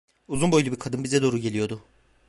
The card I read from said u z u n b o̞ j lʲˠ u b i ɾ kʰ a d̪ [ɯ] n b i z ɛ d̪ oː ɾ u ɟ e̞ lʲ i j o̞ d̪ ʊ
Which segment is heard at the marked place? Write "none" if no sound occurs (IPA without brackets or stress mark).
ɯ